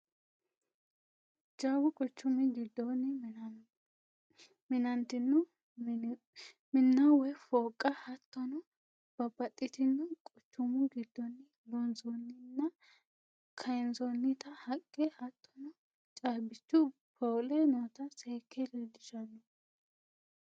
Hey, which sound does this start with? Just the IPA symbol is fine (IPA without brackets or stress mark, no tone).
d͡ʒ